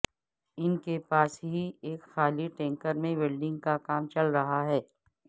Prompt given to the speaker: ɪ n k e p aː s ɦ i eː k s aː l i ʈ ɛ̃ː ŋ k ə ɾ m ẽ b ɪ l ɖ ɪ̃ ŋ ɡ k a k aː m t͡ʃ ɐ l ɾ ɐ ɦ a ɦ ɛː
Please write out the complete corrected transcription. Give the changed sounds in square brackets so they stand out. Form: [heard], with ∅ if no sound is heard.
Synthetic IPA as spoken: ɪ n k e p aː s ɦ i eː k [x] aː l i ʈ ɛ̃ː ŋ k ə ɾ m ẽ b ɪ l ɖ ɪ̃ ŋ ɡ k a k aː m t͡ʃ ɐ l ɾ ɐ ɦ a ɦ ɛː